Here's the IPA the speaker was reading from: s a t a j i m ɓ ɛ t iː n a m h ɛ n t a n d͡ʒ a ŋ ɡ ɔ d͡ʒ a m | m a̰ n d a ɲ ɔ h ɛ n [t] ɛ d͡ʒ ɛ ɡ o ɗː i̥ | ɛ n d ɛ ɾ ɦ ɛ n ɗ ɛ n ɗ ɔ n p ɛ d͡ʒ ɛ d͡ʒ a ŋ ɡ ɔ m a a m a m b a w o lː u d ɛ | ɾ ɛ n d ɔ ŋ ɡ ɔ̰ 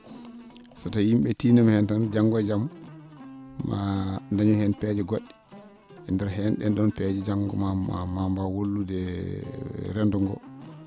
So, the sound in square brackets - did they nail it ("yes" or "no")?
no